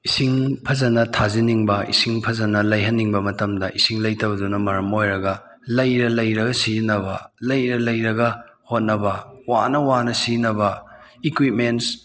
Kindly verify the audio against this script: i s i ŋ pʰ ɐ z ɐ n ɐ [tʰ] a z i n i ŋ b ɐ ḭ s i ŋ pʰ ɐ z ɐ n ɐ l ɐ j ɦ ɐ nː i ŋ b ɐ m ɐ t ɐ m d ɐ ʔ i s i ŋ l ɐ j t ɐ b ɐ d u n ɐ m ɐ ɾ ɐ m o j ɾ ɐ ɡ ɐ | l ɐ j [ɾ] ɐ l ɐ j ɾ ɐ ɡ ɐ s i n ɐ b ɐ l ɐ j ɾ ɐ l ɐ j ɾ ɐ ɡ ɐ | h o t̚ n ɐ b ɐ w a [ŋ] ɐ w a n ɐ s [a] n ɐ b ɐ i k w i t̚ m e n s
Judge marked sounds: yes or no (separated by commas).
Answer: yes, yes, no, no